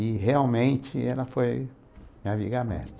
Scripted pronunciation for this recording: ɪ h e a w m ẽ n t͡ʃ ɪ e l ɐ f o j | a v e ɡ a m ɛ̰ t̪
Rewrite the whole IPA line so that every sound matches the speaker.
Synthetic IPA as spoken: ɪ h e a w m ẽ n t͡ʃ ɪ ɛ l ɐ f o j | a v i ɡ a m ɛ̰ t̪